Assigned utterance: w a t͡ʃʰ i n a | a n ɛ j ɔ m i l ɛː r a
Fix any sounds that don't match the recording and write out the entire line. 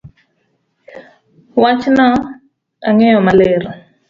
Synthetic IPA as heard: w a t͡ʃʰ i n a | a ŋ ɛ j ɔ m a l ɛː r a